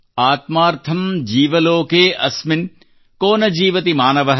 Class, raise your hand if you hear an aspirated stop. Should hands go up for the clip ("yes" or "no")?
yes